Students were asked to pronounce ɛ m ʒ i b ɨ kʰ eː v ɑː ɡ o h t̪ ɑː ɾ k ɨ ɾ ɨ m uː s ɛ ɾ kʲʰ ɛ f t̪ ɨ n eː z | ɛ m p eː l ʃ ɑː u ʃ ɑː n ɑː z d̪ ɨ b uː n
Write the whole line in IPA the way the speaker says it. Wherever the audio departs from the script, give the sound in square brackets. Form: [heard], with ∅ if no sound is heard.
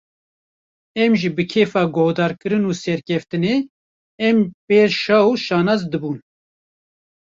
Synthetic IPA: ɛ m ʒ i b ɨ kʰ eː [f] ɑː ɡ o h [d̪] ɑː ɾ k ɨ ɾ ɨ [n] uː s ɛ ɾ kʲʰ ɛ f t̪ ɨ n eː [∅] | ɛ m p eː [ɾ] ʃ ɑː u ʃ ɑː n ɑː z d̪ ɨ b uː n